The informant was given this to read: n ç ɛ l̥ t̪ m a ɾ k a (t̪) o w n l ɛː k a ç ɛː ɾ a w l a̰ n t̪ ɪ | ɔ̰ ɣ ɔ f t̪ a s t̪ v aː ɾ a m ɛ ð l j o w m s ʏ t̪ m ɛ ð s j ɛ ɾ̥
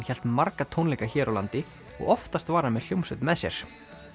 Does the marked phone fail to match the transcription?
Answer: yes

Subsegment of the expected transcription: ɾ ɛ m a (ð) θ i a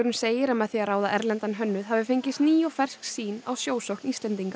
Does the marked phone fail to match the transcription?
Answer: no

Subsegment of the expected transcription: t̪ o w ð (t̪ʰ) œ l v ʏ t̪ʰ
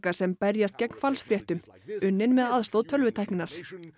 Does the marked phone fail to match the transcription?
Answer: no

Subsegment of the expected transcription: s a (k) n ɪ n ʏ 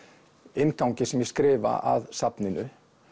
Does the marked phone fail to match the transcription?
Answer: yes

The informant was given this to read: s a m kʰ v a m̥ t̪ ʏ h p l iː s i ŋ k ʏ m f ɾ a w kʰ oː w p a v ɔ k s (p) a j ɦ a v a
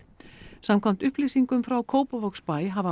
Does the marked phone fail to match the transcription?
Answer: no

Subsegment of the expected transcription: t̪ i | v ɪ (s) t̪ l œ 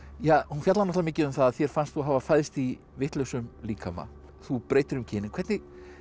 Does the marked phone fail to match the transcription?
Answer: yes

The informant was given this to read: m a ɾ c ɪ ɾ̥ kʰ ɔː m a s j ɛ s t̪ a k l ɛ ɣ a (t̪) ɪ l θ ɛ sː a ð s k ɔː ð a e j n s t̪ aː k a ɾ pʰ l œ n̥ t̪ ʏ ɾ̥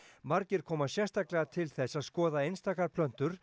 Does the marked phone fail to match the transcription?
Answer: yes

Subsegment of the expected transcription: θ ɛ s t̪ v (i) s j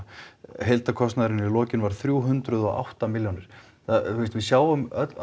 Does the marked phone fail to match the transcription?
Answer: yes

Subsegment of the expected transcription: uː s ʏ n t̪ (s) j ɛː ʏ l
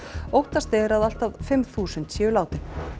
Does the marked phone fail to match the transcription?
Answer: no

